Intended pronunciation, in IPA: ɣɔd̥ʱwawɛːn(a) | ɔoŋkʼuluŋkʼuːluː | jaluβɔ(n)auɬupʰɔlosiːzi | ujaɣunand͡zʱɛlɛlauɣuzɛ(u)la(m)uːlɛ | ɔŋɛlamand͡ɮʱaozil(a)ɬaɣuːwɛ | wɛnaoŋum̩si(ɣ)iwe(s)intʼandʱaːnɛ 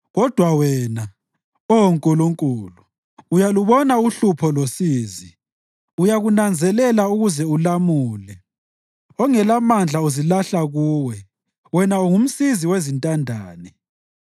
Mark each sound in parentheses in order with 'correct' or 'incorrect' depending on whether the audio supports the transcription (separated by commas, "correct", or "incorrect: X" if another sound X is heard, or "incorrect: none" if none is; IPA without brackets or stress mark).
correct, correct, correct, correct, correct, incorrect: z, incorrect: z